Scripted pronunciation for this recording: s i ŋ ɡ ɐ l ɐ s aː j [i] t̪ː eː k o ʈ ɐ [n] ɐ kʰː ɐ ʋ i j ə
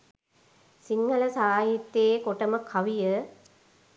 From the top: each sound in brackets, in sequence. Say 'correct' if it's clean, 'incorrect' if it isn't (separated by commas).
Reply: correct, incorrect